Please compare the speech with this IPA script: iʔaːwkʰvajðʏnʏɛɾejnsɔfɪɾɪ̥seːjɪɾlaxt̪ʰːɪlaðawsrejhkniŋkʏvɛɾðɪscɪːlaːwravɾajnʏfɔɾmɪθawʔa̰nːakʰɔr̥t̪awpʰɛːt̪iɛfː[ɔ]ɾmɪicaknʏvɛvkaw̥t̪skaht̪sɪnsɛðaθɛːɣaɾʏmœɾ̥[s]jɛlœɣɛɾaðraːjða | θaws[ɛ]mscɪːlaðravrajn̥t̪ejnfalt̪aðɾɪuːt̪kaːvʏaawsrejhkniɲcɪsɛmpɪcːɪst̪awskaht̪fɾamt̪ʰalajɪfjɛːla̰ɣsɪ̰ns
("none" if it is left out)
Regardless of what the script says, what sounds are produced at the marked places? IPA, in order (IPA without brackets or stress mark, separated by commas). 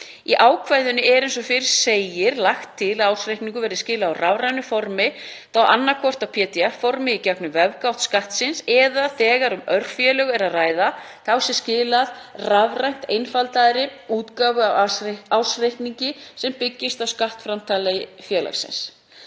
ɔ, f, ɛ